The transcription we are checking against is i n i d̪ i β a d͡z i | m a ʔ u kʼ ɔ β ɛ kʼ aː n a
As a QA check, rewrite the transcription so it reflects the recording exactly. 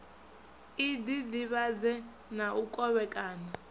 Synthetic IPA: i d i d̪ i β a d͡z ɛ | n a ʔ u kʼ ɔ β ɛ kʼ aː n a